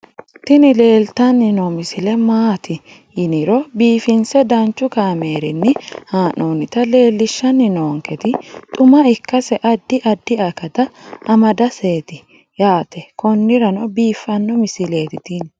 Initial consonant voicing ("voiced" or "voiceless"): voiceless